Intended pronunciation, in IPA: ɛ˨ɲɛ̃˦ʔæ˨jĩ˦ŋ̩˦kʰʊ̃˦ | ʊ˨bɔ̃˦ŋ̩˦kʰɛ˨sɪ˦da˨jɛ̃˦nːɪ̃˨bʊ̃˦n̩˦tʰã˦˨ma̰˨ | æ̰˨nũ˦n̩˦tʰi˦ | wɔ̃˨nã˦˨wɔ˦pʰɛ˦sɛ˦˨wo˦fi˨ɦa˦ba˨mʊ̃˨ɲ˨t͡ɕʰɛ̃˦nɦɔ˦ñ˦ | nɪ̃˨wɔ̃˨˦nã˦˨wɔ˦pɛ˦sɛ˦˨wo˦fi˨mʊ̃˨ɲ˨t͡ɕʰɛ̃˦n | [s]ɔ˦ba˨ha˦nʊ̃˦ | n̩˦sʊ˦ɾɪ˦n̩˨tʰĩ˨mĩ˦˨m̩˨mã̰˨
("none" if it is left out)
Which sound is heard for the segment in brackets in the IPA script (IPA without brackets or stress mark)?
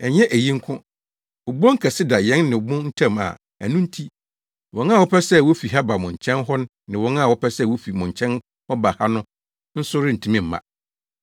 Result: h